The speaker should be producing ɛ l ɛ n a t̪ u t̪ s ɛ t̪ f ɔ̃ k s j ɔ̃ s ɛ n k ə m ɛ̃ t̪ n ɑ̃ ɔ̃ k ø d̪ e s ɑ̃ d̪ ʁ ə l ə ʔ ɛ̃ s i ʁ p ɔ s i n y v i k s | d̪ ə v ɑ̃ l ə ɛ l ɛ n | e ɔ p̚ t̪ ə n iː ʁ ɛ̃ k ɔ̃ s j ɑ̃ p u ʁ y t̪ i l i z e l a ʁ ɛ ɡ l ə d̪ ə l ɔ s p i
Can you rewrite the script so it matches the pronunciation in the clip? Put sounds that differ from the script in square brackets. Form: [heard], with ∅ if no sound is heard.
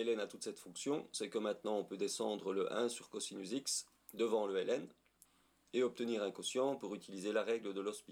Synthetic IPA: ɛ l ɛ n a t̪ u t̪ s ɛ t̪ f ɔ̃ k s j ɔ̃ s ɛ [∅] k ə m ɛ̃ t̪ n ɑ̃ ɔ̃ [p] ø d̪ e s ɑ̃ d̪ ʁ ə l ə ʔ ɛ̃ s [y] ʁ [k] ɔ s i n y [z] i k s | d̪ ə v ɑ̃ l ə ɛ l ɛ n | e ɔ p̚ t̪ ə n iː ʁ ɛ̃ k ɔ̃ s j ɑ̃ p u ʁ y t̪ i l i z e l a ʁ ɛ ɡ l ə d̪ ə l ɔ s p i